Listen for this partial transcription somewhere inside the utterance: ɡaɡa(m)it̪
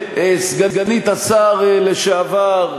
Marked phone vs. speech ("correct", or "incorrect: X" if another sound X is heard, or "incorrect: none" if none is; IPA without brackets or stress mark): incorrect: n